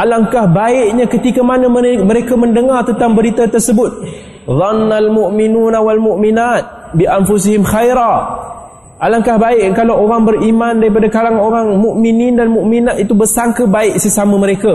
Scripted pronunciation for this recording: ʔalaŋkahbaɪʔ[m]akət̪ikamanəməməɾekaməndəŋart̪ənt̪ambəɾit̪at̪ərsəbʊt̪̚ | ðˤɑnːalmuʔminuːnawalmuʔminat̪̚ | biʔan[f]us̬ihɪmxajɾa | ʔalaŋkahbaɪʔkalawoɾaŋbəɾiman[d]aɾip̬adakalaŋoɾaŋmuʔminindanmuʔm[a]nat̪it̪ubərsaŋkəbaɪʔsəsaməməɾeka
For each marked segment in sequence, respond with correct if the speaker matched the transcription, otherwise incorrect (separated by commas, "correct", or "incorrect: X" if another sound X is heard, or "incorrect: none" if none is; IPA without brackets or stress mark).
incorrect: ɲ, correct, correct, incorrect: i